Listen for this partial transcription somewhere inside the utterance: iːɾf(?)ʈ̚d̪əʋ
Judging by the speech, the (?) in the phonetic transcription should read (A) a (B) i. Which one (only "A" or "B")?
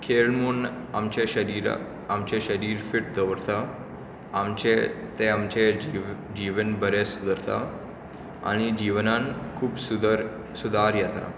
B